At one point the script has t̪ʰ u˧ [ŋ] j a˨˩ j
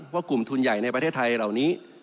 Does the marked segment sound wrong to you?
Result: yes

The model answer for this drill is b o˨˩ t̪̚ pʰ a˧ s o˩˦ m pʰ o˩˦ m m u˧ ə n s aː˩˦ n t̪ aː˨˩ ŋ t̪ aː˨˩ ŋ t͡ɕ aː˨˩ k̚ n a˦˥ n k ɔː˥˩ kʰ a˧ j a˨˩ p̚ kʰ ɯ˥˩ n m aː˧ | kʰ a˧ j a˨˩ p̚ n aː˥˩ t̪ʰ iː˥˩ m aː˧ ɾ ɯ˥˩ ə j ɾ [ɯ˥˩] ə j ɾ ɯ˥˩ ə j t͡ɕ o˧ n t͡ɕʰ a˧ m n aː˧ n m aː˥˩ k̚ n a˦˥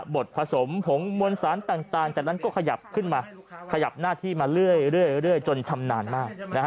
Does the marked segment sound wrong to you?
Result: no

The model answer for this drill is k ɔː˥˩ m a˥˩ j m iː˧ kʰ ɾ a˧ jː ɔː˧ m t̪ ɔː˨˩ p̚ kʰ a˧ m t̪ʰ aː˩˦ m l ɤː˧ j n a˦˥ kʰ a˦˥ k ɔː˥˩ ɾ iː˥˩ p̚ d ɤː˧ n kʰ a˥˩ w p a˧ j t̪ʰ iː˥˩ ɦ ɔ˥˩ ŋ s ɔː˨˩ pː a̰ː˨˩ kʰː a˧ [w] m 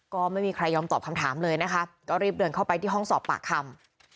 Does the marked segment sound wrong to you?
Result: yes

